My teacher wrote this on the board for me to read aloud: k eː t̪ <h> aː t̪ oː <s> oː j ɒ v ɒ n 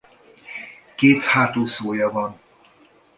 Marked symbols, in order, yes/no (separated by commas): yes, yes